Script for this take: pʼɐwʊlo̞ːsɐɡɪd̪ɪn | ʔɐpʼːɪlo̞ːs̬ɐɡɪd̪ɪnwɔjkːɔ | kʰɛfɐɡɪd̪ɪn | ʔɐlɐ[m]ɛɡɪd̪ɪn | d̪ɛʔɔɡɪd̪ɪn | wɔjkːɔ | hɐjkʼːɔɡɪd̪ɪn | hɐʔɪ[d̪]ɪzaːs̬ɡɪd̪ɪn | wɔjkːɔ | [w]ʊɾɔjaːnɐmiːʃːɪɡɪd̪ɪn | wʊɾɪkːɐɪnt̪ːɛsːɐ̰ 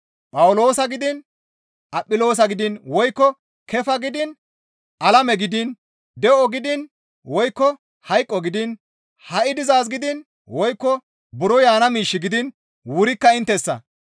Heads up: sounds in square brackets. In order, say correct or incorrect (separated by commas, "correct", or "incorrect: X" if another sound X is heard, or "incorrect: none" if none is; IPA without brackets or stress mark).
correct, correct, incorrect: b